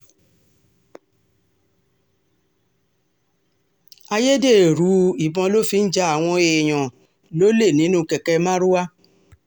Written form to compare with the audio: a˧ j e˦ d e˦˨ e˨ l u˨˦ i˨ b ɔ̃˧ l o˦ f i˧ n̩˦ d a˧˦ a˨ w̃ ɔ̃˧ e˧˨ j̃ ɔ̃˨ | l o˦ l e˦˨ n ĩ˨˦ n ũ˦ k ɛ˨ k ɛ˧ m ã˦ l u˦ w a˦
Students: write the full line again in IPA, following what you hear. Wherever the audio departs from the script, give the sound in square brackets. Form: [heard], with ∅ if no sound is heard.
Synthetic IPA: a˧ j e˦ d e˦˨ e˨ [ɾ] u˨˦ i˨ b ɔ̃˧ l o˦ f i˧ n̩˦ [d͡ʒ] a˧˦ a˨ w̃ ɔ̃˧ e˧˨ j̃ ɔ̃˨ | l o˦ l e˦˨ n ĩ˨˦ n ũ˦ k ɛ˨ k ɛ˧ m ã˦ [ɾ] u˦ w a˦